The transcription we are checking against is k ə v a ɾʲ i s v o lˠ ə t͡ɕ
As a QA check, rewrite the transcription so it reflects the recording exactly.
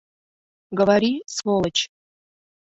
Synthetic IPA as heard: ɡ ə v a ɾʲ i s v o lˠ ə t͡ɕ